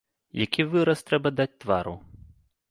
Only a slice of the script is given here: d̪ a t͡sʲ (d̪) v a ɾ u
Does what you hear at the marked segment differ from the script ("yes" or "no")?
yes